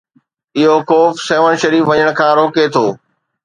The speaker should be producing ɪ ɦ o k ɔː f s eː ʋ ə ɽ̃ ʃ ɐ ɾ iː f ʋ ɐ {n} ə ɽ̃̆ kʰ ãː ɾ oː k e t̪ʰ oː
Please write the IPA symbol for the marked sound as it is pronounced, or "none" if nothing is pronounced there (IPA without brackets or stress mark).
ɲ